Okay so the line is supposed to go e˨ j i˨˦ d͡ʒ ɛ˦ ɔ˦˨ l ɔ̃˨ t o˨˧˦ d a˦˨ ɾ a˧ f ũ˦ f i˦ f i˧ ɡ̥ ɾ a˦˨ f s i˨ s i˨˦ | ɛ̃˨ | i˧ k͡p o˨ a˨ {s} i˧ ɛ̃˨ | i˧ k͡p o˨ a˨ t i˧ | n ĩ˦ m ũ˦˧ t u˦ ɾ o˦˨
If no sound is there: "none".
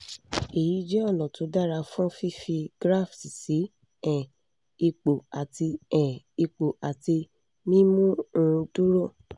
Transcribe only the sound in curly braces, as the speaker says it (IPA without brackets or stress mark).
t